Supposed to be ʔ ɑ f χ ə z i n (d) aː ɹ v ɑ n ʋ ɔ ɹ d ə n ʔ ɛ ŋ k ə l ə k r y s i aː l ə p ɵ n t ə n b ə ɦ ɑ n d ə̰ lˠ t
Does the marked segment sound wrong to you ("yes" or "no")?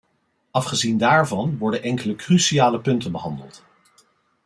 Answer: no